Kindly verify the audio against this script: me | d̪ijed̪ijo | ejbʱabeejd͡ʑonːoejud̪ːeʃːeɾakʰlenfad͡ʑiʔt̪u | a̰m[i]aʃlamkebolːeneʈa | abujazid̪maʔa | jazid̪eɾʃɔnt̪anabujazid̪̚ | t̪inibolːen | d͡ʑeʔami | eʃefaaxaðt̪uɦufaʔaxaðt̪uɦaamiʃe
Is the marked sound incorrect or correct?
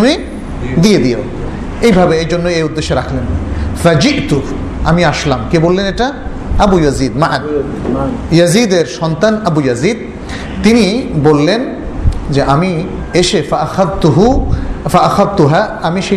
correct